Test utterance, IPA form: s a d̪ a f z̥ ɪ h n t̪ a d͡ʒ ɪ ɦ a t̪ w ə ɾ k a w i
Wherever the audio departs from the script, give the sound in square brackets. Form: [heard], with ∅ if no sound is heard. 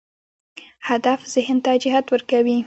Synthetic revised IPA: [h] a d̪ a f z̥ ɪ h n t̪ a d͡ʒ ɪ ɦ a t̪ w ə ɾ k a w i